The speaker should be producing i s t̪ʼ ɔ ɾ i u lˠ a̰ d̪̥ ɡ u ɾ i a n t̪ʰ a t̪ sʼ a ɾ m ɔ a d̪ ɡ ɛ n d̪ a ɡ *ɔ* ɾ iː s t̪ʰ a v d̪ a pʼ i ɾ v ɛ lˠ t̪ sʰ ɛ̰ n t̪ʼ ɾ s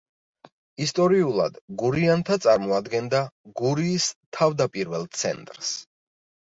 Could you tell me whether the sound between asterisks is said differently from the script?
yes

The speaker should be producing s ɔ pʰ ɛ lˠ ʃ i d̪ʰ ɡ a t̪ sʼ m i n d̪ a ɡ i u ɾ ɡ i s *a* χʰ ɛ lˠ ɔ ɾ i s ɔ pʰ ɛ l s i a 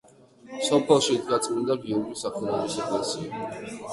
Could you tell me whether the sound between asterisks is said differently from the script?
no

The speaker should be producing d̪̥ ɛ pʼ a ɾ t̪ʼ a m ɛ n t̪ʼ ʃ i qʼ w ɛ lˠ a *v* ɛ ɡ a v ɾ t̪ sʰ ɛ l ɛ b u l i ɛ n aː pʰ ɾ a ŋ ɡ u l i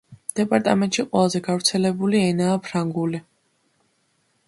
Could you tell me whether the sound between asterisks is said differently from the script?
yes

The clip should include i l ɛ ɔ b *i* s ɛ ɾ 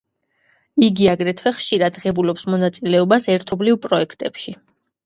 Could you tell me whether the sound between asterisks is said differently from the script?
yes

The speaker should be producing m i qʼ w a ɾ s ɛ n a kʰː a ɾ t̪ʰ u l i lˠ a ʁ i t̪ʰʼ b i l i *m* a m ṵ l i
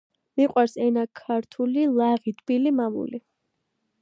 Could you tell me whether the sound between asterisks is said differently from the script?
no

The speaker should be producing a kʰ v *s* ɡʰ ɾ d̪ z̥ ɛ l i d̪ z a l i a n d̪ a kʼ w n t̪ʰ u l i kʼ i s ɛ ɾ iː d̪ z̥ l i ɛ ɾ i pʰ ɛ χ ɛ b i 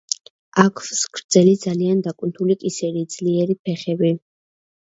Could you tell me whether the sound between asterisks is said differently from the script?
no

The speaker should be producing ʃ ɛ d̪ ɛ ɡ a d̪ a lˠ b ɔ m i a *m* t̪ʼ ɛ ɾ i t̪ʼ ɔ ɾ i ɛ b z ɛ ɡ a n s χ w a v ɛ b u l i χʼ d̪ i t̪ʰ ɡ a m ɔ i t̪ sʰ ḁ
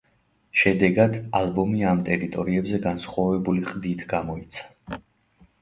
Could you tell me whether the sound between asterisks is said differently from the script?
no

